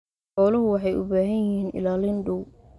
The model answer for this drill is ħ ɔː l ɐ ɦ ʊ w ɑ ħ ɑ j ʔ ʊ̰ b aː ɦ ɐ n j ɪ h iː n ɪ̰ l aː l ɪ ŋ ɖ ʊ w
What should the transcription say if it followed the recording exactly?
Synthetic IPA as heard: ħ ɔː l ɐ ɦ ʊ w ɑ ħ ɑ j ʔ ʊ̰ b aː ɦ ɐ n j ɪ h iː n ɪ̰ l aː l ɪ n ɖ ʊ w

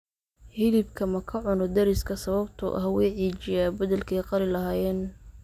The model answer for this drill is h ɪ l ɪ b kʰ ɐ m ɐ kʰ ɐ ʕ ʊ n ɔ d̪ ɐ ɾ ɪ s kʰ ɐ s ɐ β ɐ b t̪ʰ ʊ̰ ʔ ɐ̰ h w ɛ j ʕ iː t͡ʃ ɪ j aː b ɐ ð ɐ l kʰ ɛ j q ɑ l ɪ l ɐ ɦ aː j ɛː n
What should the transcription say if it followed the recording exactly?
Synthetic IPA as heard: h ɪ l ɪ b kʰ ɐ m ɐ kʰ ɐ ʕ ʊ n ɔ d̪ ɐ ɾ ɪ s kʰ ɐ s ɐ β ɐ b t̪ʰ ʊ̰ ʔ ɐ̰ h w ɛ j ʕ iː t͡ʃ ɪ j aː b ɐ ð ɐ l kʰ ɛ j q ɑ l ɪ l ɐ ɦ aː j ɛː n

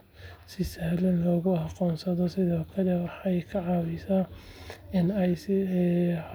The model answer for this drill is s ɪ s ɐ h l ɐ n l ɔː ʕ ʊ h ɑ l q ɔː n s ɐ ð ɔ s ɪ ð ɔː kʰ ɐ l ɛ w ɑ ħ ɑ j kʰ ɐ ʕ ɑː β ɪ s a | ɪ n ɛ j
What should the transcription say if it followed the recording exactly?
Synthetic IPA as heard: s ɪ s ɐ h l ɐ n l ɔː ɣ ʊ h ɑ q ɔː n s ɐ ð ɔ s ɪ ð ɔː kʰ ɐ l ɛ w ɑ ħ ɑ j kʰ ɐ ʕ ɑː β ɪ s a | ɪ n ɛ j

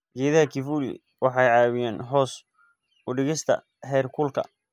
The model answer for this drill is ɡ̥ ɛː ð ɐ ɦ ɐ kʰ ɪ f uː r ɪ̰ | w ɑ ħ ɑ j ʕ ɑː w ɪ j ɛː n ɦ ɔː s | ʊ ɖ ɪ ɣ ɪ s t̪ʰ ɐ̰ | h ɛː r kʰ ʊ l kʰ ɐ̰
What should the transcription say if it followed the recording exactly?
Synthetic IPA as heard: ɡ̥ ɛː ð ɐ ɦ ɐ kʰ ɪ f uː l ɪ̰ | w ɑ ħ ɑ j ʕ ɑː w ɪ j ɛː n ɦ ɔː s | ʊ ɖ ɪ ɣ ɪ s t̪ʰ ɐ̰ | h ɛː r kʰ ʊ l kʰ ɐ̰

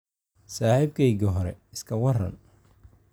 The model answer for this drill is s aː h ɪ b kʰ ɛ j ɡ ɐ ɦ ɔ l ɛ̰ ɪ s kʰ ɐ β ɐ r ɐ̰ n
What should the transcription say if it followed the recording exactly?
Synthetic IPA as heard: s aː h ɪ b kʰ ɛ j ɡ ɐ ɦ ɔ ɾ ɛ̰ ɪ s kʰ ɐ w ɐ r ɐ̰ n

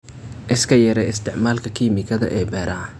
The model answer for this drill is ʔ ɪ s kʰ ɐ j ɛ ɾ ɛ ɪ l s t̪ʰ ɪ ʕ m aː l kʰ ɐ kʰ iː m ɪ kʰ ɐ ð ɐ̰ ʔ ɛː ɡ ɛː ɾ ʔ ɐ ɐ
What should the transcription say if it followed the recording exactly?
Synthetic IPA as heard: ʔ ɪ s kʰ ɐ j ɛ ɾ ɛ ɪ s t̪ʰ ɪ ʕ m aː l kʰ ɐ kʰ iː m ɪ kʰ ɐ ð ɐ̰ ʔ ɛː b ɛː ɾ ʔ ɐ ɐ

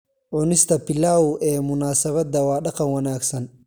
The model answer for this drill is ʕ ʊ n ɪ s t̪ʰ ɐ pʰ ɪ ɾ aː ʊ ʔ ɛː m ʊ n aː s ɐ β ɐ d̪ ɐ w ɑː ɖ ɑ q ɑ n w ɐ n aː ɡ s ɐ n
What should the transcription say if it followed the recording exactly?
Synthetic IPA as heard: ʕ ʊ n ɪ s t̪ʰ ɐ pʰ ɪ l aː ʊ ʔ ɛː m ʊ n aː s ɐ β ɐ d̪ ɐ w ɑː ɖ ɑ q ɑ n w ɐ n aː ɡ s ɐ n

